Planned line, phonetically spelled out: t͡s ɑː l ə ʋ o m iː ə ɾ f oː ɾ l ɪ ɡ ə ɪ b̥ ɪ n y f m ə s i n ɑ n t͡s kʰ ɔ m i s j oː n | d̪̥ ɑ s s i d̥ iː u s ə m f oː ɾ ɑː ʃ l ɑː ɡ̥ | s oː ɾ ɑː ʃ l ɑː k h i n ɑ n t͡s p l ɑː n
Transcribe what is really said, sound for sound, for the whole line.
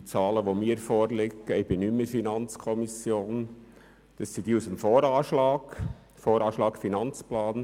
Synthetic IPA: t͡s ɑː l ə ʋ o m iː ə ɾ f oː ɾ l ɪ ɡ ə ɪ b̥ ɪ n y m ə f i n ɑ n t͡s kʰ ɔ m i s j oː n | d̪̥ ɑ s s i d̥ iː u s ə m f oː ɾ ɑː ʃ l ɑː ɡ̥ | f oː ɾ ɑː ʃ l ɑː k f i n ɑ n t͡s p l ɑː n